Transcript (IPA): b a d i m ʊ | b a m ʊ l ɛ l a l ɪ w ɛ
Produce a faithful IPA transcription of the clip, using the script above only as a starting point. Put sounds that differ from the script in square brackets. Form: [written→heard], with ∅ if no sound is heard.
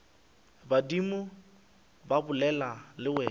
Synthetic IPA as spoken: b a d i m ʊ | b a [m→b] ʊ l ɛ l a l ɪ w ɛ